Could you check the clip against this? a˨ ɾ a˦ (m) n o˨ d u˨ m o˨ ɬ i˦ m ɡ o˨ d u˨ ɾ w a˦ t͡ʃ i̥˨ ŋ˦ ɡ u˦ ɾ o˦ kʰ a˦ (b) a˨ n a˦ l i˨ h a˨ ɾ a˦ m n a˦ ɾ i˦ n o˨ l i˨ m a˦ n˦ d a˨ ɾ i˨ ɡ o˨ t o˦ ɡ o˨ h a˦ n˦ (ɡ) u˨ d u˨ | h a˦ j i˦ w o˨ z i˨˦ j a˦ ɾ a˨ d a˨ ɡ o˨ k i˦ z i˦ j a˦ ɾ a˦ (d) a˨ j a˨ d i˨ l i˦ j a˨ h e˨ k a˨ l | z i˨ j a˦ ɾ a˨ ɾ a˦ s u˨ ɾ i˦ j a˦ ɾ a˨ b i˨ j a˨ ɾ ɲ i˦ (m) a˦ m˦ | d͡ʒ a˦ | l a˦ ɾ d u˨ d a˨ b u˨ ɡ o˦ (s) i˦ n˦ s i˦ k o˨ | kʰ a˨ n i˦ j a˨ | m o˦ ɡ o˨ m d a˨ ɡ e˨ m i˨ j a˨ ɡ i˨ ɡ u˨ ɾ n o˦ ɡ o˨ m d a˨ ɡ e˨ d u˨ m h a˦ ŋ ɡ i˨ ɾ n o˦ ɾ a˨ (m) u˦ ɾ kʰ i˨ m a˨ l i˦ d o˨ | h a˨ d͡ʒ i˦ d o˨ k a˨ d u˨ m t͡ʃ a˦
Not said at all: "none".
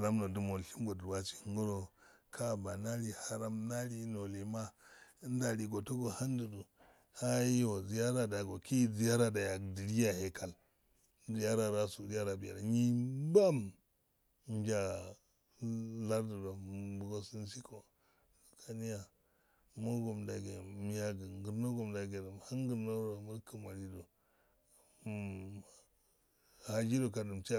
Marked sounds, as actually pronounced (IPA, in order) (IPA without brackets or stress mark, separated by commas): m, b, d, d, b, s, m